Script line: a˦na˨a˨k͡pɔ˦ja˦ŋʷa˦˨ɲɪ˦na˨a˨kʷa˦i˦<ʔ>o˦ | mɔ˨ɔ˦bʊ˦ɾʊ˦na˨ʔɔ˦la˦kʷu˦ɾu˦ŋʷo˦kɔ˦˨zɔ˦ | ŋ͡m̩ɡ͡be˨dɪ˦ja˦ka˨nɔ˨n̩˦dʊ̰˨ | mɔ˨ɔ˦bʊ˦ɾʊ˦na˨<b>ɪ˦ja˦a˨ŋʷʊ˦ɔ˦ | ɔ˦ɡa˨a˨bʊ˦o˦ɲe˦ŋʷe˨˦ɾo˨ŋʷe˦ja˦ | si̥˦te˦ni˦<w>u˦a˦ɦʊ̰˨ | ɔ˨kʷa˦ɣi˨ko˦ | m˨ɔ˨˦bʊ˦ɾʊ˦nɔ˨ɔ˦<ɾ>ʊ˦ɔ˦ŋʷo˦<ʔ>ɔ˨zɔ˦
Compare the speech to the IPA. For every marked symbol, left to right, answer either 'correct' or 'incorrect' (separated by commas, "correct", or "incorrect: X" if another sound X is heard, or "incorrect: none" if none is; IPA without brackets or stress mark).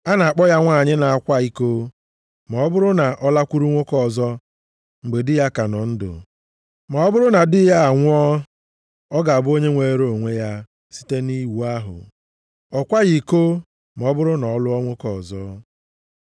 incorrect: k, incorrect: d, correct, incorrect: l, incorrect: k